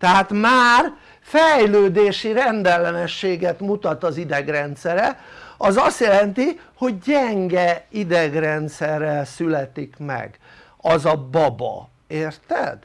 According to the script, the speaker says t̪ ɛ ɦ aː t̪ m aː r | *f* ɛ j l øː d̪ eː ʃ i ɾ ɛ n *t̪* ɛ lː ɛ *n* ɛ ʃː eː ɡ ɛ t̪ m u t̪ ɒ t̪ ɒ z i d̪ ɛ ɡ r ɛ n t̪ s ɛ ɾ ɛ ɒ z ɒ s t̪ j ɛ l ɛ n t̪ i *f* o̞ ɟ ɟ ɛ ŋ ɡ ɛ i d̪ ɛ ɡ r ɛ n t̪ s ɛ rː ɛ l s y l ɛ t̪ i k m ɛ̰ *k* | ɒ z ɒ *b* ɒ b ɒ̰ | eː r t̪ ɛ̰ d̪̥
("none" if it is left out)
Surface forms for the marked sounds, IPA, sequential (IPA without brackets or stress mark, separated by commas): f, d̪, n, h, ɡ, b